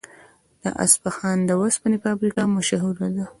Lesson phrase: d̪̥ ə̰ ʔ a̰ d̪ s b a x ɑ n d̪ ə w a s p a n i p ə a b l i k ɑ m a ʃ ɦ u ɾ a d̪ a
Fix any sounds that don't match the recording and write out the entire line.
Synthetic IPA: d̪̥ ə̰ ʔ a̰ s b a x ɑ n d̪ ə w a s p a n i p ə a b ɾ i k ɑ m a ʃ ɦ u ɾ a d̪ a